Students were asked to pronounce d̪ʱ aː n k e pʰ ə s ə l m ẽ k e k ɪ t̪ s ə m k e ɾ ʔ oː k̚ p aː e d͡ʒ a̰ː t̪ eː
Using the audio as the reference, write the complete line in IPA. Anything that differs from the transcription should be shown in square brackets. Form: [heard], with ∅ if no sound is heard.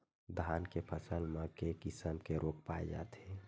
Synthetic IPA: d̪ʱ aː n k e pʰ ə s ə l m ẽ k e k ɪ [∅] s ə m k e ɾ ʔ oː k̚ p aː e d͡ʒ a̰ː t̪ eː